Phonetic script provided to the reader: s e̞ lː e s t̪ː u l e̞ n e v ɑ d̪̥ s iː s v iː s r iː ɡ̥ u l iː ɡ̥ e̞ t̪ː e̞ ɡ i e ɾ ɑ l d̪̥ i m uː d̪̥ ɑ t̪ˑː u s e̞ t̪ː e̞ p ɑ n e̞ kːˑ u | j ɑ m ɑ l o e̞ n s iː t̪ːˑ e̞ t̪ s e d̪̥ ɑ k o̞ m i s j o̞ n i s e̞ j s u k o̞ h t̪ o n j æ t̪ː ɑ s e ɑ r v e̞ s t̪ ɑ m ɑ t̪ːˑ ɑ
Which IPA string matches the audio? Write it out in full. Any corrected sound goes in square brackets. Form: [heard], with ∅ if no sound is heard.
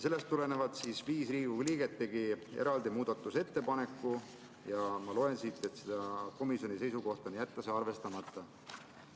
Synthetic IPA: s e̞ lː e s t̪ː u l e̞ n e v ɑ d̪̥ s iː s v iː s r iː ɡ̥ u l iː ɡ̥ e̞ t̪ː e̞ ɡ i e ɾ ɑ l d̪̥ i m uː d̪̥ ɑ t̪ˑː u s e̞ t̪ː e̞ p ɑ n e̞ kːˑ u | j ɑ m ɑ l o e̞ n s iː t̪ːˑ e̞ t̪ s e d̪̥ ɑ k o̞ m i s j o̞ n i s e̞ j s u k o̞ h t̪ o n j æ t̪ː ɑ s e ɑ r v e̞ s t̪ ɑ m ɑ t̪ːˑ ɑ